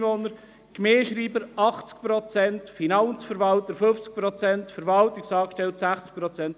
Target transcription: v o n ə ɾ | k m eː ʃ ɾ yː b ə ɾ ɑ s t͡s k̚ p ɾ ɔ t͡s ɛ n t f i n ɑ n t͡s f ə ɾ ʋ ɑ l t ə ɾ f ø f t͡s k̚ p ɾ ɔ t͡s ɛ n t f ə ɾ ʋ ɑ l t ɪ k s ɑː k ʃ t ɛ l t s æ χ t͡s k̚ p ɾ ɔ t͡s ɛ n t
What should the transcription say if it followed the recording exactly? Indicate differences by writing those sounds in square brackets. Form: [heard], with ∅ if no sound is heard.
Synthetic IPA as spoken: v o n ə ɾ | k m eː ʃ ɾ [iː] b ə ɾ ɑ [χ] t͡s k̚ p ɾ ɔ t͡s ɛ n t f i n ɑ n t͡s f ə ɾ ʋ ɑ l t ə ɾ f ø f t͡s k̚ p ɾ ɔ t͡s ɛ n t f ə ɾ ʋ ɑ l t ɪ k s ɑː k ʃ t ɛ l t s æ χ t͡s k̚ p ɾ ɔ t͡s ɛ n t